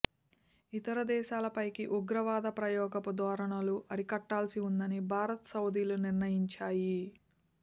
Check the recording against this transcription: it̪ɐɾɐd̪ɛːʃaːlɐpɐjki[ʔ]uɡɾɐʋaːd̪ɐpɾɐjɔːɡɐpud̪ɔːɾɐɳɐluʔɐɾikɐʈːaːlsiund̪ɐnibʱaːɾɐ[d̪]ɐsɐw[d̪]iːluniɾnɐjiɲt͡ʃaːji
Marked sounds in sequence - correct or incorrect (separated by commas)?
correct, incorrect, correct